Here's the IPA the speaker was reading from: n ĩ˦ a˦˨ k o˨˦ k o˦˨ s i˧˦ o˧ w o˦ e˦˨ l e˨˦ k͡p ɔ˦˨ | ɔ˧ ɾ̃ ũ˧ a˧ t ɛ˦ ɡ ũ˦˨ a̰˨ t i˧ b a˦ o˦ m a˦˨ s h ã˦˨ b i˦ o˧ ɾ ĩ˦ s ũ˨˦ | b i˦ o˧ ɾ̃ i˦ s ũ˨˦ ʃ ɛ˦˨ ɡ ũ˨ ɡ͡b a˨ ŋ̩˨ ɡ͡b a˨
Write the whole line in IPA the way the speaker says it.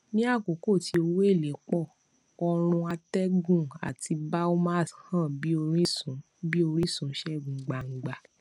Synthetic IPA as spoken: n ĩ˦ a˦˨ k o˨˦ k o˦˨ t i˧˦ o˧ w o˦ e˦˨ l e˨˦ k͡p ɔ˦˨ | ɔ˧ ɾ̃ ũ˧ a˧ t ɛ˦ ɡ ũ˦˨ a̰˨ t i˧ b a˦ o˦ m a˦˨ s h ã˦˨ b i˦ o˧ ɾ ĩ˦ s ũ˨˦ | b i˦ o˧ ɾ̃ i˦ s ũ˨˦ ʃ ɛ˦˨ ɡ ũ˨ ɡ͡b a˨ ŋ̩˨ ɡ͡b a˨